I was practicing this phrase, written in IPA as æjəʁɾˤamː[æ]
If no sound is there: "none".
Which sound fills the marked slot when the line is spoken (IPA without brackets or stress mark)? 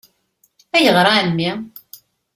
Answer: i